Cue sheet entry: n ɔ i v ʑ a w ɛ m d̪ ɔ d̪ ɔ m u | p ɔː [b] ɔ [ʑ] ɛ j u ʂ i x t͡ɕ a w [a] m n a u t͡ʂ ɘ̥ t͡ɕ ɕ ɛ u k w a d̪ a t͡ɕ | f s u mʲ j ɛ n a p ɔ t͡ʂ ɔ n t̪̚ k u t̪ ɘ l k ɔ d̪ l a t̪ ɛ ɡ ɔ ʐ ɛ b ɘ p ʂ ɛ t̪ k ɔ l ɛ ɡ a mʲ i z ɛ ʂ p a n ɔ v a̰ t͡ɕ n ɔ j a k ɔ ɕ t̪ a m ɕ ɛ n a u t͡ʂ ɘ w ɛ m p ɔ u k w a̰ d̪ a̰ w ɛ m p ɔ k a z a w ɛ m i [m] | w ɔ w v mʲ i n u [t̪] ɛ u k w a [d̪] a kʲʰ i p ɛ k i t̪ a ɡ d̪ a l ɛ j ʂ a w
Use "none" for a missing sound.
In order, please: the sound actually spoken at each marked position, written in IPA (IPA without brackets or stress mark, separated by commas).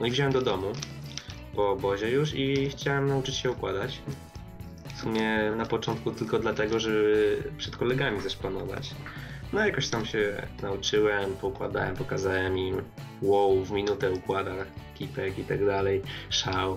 b, ʑ, ɛ, m, t̪, d̪